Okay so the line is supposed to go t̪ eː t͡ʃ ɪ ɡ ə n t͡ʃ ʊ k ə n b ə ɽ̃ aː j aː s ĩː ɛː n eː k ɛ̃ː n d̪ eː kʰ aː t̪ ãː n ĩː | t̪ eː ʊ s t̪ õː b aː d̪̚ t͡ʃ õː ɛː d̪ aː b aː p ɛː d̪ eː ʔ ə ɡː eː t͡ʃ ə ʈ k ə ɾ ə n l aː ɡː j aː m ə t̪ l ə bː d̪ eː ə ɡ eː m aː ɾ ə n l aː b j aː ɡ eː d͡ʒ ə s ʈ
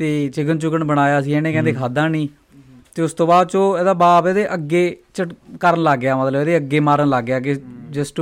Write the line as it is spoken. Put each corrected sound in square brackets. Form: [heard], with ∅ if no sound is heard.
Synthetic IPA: t̪ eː t͡ʃ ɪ ɡ ə n t͡ʃ ʊ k ə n b ə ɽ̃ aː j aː s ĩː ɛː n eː k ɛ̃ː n d̪ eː kʰ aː [d̪] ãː n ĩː | t̪ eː ʊ s t̪ õː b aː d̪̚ t͡ʃ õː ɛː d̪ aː b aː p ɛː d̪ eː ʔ ə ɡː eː t͡ʃ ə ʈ k ə ɾ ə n l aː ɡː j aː m ə t̪ l ə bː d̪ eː ə ɡ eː m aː ɾ ə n l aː [ɡ] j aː ɡ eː d͡ʒ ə s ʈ